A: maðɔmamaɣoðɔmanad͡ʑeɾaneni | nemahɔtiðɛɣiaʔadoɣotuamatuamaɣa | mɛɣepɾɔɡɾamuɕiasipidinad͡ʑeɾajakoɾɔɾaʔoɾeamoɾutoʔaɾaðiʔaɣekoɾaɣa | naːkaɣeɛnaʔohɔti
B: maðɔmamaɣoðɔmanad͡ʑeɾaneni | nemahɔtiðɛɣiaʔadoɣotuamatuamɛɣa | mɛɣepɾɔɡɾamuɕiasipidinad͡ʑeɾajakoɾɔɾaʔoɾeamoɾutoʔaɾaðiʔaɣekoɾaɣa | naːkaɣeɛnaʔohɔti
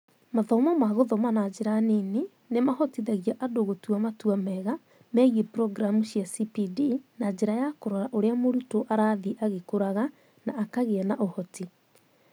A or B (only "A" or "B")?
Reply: B